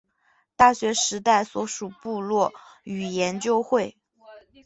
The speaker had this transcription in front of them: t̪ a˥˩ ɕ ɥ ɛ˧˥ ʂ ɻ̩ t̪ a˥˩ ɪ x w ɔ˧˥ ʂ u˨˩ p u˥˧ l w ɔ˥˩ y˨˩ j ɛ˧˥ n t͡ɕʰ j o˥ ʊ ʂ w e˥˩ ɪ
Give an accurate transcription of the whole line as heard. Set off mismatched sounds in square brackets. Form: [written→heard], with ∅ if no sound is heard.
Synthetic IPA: t̪ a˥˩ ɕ ɥ ɛ˧˥ ʂ ɻ̩ t̪ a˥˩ ɪ [x→s] w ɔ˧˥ ʂ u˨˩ p u˥˧ l w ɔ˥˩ y˨˩ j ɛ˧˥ n [t͡ɕʰ→t͡ɕ] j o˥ ʊ [ʂ→x] w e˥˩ ɪ